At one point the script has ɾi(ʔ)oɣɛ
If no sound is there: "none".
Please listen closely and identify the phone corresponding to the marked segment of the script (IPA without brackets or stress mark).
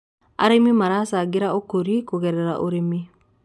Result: k